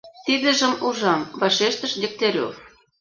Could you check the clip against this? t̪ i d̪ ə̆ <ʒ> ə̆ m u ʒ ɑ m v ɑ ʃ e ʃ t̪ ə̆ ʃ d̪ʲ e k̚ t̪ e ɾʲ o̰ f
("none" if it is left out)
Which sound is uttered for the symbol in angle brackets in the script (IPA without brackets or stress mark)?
ʒ